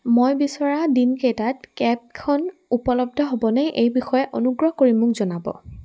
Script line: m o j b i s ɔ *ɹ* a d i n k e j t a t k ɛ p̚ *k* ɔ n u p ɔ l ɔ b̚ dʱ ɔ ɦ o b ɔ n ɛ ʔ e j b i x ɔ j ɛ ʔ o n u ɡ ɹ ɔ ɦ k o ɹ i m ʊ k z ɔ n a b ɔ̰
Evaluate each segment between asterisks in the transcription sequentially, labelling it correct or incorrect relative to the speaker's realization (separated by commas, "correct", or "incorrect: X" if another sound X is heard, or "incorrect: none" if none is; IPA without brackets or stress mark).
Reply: correct, incorrect: kʰ